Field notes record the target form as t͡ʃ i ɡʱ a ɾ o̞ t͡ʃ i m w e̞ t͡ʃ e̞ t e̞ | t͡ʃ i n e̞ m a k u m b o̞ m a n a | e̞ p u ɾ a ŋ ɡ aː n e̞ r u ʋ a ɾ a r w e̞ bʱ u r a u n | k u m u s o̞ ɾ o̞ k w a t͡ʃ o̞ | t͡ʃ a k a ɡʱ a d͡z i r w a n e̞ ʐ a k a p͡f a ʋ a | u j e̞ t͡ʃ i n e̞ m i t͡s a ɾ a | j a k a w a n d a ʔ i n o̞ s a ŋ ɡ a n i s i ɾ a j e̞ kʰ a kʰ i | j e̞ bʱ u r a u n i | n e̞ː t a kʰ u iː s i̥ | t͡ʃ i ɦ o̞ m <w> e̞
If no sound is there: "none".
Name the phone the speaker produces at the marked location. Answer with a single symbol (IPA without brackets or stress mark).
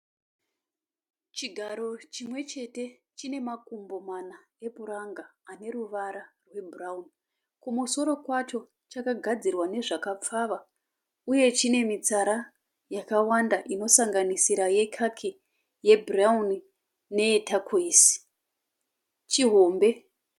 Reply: b